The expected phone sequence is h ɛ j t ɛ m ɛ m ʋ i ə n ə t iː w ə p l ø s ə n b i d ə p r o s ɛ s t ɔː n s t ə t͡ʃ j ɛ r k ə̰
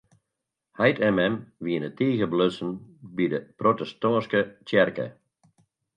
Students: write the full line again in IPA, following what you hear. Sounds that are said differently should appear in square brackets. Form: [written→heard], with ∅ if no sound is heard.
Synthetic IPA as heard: h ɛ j t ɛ m ɛ m ʋ i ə n ə t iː [w→ɣ] ə [p→b] l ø s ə n b i d ə p r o [s→t] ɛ s t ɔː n s [t→k] ə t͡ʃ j ɛ r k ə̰